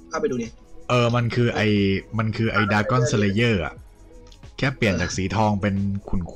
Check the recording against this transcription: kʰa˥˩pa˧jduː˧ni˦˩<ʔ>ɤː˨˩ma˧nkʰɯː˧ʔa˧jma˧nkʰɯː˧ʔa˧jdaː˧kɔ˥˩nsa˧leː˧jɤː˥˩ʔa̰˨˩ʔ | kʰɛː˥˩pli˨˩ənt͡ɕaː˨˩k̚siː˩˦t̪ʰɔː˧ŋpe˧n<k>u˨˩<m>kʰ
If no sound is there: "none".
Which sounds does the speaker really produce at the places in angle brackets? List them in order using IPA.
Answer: ʔ, kʰ, n

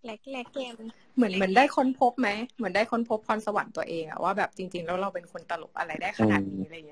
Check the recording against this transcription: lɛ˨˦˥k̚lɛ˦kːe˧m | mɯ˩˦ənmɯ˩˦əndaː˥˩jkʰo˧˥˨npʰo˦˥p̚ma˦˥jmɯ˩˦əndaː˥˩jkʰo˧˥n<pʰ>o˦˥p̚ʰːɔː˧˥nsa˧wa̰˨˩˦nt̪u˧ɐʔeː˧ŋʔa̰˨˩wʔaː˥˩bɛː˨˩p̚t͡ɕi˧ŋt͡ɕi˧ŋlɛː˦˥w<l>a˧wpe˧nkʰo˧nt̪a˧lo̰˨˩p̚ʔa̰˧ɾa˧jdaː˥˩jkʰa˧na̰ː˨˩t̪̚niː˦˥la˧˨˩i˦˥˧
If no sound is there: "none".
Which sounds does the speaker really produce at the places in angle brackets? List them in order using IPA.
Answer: pʰ, ɾ

